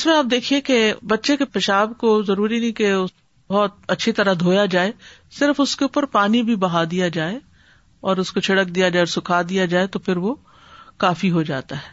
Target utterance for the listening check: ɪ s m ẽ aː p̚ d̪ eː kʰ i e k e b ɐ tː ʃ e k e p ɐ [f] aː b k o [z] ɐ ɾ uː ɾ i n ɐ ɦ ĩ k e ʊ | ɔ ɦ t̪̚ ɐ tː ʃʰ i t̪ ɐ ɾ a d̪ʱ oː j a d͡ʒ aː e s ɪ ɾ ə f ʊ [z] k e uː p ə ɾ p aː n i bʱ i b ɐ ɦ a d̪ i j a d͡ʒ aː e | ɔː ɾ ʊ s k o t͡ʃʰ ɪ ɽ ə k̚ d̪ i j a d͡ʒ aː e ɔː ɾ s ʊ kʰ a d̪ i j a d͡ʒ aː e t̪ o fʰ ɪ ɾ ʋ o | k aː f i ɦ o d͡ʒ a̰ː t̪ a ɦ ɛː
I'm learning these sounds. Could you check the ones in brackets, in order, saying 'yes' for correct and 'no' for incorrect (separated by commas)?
no, yes, no